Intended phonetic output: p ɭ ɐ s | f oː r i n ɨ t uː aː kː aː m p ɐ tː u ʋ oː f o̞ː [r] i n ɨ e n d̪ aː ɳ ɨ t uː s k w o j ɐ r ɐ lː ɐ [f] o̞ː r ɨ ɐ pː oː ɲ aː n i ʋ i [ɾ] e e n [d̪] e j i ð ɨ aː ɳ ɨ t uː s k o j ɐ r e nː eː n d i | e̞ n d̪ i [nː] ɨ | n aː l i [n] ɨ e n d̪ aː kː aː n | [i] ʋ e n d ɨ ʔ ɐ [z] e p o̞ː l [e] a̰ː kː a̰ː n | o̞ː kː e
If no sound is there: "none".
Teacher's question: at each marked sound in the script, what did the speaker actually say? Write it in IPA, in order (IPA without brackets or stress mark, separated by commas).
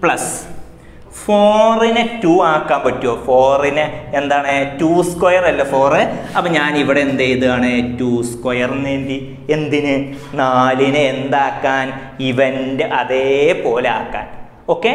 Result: r, f, ɽ, d̪, n, n, i, ð, e